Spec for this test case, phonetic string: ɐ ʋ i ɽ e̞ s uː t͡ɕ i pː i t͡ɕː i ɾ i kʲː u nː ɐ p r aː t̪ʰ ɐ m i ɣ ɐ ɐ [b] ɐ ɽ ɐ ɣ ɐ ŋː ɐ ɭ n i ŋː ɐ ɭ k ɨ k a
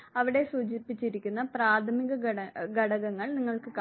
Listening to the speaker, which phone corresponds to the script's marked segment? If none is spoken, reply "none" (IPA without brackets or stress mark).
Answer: ɡ